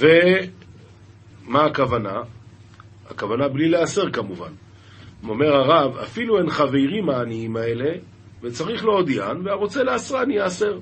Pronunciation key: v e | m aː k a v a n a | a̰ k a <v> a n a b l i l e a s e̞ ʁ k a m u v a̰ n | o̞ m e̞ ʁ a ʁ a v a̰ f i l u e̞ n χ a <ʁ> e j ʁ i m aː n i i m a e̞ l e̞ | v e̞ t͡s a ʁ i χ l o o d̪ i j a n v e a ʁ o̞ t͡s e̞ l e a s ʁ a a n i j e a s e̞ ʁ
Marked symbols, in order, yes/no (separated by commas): yes, no